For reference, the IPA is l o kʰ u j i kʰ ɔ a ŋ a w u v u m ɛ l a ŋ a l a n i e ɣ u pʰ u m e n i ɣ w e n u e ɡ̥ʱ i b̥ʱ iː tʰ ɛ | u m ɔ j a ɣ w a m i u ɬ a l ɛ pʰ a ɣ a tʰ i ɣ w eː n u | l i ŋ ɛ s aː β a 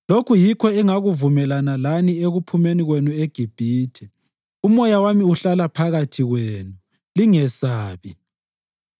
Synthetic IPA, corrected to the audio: l o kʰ u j i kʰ ɔ ɛ ŋ a ɣ u v u m ɛ l a n a l a n i e ɣ u pʰ u m e n i ɣ w e n u e ɡ̥ʱ i b̥ʱ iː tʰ ɛ | u m ɔ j a w a m i u ɬ a l a pʰ a ɣ a tʰ i ɣ w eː n u | l i ŋ ɛ s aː β i